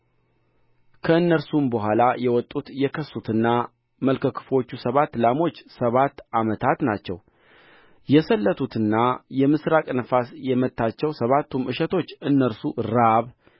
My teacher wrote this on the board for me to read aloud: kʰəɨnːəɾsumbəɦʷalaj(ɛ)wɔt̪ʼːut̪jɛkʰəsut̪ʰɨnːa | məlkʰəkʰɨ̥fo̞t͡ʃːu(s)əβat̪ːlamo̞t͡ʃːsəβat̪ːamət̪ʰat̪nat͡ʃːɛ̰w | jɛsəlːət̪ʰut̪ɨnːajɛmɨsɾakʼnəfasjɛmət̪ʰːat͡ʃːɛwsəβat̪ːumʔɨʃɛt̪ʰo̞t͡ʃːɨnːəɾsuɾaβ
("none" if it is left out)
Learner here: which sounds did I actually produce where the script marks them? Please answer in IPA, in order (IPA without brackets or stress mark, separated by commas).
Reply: ɛ, s